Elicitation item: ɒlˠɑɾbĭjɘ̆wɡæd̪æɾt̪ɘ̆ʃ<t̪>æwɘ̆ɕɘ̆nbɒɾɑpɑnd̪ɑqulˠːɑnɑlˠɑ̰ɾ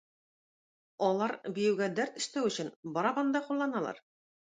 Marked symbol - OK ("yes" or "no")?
yes